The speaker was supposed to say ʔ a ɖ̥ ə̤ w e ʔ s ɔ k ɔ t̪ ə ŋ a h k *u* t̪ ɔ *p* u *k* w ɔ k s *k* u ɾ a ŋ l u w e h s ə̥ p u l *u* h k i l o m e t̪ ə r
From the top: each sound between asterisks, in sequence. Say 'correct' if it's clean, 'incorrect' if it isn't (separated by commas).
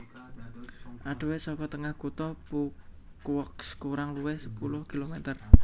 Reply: correct, correct, correct, correct, incorrect